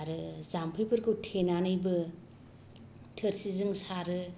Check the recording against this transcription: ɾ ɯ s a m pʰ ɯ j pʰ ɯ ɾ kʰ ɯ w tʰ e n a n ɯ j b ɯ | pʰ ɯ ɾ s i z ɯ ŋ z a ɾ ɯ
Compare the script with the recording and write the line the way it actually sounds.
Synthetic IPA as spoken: ɾ ɯ z a m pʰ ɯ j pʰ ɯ ɾ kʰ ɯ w tʰ e n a n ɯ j b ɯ | tʰ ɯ ɾ s i z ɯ ŋ s a ɾ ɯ